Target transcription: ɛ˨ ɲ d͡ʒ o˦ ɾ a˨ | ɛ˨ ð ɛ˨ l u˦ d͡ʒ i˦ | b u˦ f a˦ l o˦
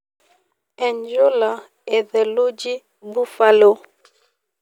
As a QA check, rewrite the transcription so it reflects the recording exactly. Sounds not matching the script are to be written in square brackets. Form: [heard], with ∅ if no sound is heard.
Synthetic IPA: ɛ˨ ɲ d͡ʒ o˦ [l] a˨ | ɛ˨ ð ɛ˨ l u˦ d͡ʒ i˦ | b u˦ f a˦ l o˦

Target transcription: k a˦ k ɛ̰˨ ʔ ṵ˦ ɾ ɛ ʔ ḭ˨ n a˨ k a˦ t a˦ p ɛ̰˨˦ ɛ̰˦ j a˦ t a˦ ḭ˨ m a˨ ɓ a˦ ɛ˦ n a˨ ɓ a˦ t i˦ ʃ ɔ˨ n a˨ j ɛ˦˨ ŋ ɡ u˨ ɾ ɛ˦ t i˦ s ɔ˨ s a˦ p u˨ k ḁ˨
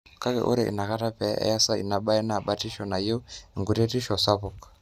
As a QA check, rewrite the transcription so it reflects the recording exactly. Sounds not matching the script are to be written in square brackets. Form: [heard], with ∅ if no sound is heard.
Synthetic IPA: k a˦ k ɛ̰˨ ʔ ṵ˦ ɾ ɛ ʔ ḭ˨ n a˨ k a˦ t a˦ p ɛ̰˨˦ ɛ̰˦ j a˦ [s] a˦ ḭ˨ [n] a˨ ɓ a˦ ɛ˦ n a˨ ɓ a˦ t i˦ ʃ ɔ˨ n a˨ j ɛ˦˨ ŋ ɡ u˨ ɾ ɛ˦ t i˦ [ʃ] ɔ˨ s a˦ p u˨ k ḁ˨

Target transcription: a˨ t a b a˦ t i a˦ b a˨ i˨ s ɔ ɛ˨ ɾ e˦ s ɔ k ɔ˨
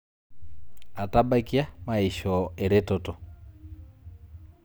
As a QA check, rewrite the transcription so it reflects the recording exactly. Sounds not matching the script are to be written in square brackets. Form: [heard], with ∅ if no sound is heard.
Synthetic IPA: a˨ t a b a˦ [k] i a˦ [m] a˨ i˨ [ʃ] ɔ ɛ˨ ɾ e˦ [t] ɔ [t] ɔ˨

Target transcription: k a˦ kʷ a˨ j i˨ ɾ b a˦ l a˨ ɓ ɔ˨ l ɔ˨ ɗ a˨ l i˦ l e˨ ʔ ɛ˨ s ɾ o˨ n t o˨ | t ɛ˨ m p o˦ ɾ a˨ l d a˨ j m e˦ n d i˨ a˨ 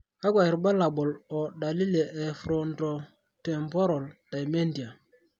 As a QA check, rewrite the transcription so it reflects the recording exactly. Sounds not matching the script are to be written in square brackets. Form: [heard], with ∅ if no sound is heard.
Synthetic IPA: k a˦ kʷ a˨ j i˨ ɾ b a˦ l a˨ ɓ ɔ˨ l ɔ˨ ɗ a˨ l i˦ l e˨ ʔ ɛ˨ [f] ɾ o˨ n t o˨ | t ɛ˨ m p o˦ ɾ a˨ l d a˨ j m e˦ n d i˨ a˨

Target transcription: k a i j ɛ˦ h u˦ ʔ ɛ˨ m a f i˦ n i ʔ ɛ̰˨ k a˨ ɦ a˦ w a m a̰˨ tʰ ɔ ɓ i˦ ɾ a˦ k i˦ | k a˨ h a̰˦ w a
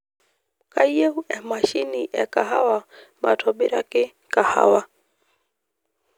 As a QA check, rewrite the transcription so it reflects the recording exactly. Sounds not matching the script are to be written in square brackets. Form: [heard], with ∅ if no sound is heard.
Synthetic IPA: k a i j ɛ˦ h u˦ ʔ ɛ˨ m a [ʃ] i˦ n i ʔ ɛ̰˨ k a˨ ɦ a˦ w a m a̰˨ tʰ ɔ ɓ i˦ ɾ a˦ k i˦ | k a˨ h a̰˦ w a

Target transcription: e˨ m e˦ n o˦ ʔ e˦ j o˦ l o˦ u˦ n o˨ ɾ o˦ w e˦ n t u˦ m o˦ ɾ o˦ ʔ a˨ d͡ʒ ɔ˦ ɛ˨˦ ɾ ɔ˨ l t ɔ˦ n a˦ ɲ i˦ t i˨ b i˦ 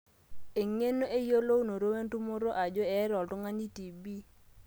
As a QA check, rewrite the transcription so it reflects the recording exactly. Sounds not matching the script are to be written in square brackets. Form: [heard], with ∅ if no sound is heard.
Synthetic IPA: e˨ [ŋ] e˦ n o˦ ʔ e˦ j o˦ l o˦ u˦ n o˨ ɾ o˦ w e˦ n t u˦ m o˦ ɾ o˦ ʔ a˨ d͡ʒ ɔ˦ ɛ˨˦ ɾ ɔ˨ l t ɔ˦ [ŋ] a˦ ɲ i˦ t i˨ b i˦

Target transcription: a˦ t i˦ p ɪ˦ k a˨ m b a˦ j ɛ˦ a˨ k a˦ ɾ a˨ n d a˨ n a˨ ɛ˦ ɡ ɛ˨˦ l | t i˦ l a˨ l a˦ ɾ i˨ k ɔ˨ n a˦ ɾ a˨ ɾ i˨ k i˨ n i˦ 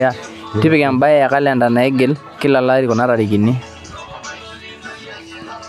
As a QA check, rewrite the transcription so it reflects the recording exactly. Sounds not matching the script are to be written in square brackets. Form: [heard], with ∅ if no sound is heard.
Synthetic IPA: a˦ t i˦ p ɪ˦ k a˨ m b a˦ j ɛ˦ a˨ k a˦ [l] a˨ n d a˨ n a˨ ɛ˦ ɡ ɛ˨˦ l | [k] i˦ l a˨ l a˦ ɾ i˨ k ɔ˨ n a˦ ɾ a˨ ɾ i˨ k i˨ n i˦

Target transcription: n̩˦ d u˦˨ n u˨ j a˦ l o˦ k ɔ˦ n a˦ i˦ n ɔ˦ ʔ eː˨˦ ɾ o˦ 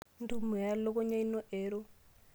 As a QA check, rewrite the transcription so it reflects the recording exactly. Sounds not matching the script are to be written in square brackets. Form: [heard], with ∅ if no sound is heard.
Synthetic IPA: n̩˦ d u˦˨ [m] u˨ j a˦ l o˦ k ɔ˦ [ɲ] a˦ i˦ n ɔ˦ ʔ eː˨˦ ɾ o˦

